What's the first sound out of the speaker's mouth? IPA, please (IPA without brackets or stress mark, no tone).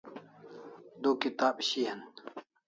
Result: d̪